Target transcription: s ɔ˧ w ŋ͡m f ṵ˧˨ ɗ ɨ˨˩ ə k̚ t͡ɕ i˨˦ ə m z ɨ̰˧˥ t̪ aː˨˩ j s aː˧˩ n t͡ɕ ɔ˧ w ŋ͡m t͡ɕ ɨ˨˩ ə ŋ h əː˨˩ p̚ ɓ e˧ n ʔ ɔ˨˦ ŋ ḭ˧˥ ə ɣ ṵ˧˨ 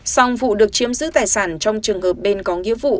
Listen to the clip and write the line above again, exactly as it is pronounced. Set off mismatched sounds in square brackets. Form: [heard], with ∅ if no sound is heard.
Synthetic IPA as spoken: s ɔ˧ w ŋ͡m [v] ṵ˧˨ ɗ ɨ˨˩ ə k̚ t͡ɕ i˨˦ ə m z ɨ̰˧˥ t̪ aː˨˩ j s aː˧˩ n t͡ɕ ɔ˧ w ŋ͡m t͡ɕ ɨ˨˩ ə ŋ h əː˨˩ p̚ ɓ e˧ n [k] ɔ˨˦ ŋ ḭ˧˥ ə [v] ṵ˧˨